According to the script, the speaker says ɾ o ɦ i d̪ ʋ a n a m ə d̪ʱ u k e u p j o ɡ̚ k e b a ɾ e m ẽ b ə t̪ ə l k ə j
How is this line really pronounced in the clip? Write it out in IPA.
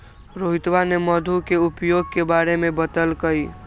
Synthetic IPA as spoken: ɾ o ɦ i t̪ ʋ a n e m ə d̪ʱ u k e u p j o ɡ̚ k e b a ɾ e m e b ə t̪ ə l k ə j